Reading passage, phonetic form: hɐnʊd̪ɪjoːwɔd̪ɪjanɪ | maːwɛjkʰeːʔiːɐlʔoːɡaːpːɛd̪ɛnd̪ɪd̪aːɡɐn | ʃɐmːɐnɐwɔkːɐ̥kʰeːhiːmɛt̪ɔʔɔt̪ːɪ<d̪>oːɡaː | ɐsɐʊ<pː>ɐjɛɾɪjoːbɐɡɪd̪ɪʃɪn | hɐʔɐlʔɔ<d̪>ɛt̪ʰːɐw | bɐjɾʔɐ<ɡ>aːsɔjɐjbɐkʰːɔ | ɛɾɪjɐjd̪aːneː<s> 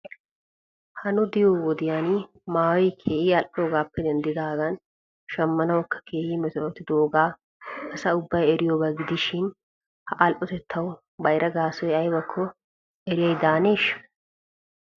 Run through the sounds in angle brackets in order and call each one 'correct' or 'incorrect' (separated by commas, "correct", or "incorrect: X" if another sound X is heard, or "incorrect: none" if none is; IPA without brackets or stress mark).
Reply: correct, incorrect: bː, incorrect: t̪, correct, incorrect: ʃ